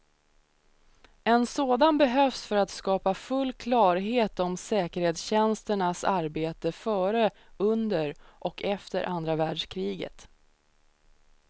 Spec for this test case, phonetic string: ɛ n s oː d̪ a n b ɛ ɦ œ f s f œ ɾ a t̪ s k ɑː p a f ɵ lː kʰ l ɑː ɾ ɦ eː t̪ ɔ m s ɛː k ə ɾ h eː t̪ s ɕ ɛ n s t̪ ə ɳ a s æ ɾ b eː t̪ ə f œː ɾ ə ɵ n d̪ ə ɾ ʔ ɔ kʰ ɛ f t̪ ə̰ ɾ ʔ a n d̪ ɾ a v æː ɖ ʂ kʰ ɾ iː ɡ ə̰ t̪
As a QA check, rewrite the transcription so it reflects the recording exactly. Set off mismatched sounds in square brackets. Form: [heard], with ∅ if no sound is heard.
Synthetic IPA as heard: ɛ n s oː d̪ a n b ɛ ɦ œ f s f œ ɾ a t̪ s k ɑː p a f ɵ lː kʰ l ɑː ɾ ɦ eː t̪ ɔ m s ɛː k ə ɾ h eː t̪ s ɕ ɛ n s t̪ ə ɳ a s [a] ɾ b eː t̪ ə f œː ɾ ə ɵ n d̪ ə ɾ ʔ ɔ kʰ ɛ f t̪ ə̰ ɾ ʔ a n d̪ ɾ a v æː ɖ ʂ kʰ ɾ iː ɡ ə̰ t̪